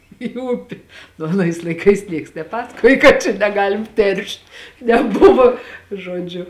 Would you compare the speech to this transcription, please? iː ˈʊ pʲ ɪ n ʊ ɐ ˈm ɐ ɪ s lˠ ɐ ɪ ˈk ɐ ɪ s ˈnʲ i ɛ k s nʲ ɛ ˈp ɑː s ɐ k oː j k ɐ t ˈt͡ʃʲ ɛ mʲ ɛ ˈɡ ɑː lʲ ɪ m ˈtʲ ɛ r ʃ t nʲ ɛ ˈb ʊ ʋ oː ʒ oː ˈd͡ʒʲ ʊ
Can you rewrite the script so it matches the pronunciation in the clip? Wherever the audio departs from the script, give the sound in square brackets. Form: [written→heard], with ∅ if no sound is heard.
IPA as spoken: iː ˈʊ pʲ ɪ n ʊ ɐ [ˈm→ˈn] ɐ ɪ s lˠ ɐ ɪ ˈk ɐ ɪ s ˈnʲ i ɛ k s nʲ ɛ ˈp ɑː s ɐ k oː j k ɐ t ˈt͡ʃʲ ɛ [mʲ→nʲ] ɛ ˈɡ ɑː lʲ ɪ m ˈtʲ ɛ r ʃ t nʲ ɛ ˈb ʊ ʋ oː ʒ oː ˈd͡ʒʲ ʊ